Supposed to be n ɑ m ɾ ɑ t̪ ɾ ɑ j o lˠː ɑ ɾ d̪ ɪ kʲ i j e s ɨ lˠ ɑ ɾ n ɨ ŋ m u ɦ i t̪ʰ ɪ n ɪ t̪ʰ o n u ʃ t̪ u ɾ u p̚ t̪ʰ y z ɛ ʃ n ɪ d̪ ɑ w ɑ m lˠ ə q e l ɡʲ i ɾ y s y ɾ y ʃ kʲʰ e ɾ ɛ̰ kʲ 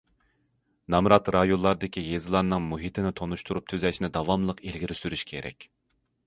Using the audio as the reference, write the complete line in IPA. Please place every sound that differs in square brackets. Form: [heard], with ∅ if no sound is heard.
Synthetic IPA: n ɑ m ɾ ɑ t̪ ɾ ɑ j o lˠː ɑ ɾ d̪ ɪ kʲ i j e [z] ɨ lˠ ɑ ɾ n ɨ ŋ m u ɦ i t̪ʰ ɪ n ɪ t̪ʰ o n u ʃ t̪ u ɾ u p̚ t̪ʰ y z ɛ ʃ n ɪ d̪ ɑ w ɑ m lˠ ə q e l ɡʲ i ɾ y s y ɾ y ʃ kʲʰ e ɾ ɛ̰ kʲ